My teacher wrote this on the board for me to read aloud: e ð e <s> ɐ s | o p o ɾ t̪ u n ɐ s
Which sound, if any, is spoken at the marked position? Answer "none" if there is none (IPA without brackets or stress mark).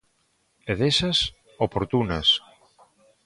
s